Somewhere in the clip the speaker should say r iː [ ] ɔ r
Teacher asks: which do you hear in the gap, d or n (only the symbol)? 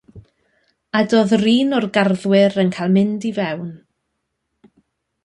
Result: n